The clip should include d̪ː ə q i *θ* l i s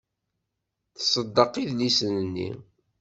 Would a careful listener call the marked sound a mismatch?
yes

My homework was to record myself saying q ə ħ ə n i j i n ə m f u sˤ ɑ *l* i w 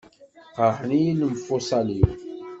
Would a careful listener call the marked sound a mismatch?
no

